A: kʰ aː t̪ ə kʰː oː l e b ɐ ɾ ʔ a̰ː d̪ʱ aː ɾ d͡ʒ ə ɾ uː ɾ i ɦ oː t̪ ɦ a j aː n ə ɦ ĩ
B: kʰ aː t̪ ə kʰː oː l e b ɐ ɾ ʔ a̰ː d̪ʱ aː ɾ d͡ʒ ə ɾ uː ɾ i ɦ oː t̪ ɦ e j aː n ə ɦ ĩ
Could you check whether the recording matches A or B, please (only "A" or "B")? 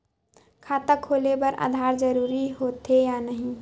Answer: B